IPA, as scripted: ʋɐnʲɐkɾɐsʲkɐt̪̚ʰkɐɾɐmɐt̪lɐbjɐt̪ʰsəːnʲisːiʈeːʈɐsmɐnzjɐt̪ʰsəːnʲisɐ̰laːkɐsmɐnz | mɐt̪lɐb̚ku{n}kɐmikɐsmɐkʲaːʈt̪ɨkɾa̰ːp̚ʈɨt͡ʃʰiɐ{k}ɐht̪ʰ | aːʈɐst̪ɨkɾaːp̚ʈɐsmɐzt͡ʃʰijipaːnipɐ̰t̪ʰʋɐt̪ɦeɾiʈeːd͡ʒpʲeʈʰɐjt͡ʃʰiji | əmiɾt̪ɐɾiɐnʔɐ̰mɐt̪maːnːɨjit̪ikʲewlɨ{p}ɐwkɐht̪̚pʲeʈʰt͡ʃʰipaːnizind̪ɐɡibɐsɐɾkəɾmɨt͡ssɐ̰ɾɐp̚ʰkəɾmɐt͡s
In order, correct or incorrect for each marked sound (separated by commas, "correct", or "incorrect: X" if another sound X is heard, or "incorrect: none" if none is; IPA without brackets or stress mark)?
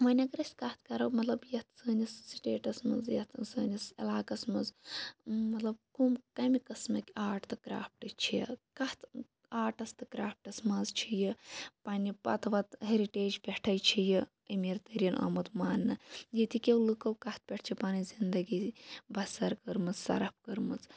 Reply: incorrect: m, correct, incorrect: k